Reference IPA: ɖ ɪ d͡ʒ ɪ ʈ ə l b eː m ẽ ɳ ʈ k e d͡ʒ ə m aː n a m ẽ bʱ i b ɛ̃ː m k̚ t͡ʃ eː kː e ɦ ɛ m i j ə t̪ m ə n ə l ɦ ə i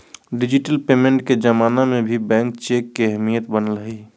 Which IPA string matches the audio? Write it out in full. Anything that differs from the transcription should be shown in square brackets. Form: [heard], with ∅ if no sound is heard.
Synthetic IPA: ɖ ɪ d͡ʒ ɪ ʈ ə l [p] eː m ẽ ɳ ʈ k e d͡ʒ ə m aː n a m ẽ bʱ i b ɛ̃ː [ŋ] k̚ t͡ʃ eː kː e ɦ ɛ m i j ə t̪ [b] ə n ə l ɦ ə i